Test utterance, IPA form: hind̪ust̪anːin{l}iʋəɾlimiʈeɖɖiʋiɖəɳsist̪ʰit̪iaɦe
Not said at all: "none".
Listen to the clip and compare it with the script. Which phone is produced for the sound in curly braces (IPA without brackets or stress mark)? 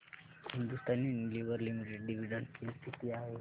l